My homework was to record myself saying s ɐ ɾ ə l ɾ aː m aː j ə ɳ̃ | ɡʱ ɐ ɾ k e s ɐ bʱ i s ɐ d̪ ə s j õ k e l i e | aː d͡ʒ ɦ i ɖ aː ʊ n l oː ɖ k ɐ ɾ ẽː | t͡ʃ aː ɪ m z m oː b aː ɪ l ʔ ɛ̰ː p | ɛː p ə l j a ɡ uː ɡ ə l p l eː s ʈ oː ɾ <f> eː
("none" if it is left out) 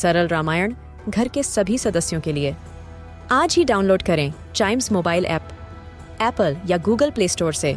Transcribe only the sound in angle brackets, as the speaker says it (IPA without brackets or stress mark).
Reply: s